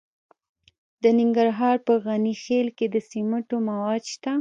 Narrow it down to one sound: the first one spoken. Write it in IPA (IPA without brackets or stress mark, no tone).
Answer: d̪